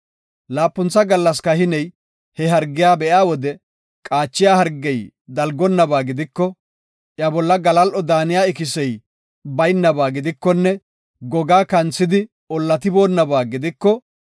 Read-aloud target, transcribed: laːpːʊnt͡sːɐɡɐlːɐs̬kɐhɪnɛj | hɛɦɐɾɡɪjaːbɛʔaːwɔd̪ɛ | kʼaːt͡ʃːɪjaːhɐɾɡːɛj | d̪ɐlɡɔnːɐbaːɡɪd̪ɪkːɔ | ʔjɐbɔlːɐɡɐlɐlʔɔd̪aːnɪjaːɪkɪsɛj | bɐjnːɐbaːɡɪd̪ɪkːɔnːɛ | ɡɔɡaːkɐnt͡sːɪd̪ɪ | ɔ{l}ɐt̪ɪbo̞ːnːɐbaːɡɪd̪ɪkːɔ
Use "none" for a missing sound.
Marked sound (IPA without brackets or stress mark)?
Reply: lː